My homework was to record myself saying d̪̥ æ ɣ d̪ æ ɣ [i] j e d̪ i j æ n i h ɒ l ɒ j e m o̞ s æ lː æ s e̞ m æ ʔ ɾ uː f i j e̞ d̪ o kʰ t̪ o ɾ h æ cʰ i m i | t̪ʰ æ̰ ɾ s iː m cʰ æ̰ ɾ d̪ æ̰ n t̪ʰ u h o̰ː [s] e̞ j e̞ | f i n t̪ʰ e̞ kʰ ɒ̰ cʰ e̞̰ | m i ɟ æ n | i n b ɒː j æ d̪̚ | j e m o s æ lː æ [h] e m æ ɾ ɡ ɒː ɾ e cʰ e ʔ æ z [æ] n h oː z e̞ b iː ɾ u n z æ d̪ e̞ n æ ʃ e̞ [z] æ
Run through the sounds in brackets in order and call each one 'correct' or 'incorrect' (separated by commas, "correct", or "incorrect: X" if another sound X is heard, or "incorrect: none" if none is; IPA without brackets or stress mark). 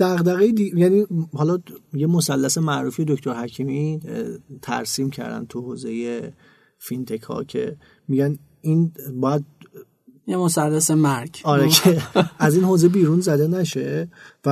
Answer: incorrect: e, incorrect: z, incorrect: s, incorrect: i, incorrect: v